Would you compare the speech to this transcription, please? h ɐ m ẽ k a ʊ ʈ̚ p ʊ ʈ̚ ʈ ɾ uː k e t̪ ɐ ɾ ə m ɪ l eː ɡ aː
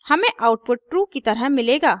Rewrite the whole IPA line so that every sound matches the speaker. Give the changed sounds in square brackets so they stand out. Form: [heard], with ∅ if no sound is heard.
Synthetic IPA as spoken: h ɐ m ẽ [ʔ] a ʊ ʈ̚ p ʊ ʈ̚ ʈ ɾ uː k [i] t̪ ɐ ɾ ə m ɪ l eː ɡ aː